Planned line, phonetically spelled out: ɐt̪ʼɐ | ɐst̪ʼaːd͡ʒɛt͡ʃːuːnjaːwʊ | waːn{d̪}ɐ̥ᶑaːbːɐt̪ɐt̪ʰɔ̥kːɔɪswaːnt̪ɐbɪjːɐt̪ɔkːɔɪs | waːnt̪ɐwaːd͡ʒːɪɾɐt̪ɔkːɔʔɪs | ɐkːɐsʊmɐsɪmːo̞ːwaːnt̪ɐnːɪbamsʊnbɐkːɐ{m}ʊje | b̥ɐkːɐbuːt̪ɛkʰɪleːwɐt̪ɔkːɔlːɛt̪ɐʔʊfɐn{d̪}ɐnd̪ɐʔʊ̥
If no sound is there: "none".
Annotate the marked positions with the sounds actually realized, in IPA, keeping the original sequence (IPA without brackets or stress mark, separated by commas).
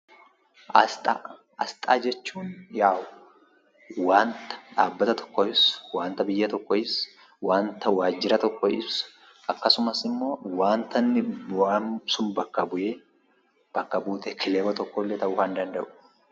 t̪, b, d̪